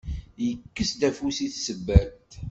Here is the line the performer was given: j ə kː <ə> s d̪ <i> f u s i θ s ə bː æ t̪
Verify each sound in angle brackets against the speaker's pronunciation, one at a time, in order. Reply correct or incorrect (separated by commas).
correct, incorrect